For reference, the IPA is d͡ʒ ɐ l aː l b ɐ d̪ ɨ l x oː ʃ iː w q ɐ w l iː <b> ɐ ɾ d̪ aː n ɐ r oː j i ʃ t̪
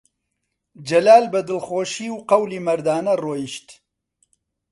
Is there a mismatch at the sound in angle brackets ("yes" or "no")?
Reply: yes